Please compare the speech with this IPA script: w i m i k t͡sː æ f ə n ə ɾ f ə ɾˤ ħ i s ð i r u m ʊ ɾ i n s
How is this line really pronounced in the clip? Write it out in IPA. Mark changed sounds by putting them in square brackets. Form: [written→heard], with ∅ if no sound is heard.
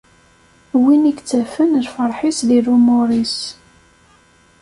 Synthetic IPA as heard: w i [m→n] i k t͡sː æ f ə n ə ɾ f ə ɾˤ ħ i s ð i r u m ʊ ɾ i [n→∅] s